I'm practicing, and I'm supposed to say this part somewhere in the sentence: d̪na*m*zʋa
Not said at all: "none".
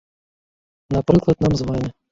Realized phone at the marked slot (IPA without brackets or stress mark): m